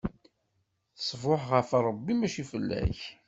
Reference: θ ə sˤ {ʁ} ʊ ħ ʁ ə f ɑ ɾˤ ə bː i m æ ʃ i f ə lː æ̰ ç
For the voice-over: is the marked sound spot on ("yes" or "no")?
no